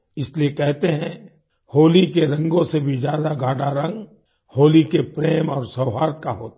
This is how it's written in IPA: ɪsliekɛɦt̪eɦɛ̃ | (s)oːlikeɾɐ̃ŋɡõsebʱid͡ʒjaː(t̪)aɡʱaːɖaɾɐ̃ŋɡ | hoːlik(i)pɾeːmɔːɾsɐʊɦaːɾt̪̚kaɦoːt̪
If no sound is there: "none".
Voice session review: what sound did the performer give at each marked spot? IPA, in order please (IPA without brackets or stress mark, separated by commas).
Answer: h, d̪, e